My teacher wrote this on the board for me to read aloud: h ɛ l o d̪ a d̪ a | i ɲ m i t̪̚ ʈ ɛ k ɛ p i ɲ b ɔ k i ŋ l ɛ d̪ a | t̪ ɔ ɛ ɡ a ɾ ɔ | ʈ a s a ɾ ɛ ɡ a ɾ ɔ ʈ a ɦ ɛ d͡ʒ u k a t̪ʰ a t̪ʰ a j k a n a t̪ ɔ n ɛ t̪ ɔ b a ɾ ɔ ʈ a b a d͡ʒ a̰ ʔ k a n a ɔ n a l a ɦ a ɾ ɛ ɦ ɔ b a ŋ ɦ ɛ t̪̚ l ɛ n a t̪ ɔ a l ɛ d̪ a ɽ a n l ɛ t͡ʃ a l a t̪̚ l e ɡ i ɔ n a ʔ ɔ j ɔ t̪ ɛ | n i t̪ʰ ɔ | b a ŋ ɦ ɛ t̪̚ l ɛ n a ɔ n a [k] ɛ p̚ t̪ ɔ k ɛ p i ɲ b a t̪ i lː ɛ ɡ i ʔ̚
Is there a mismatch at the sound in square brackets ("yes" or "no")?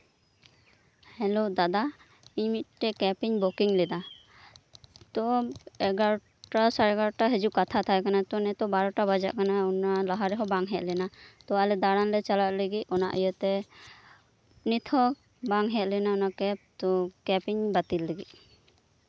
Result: no